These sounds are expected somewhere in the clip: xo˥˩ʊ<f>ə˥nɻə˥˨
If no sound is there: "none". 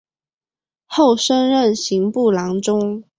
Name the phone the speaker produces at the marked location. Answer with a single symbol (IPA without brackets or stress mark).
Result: ʂ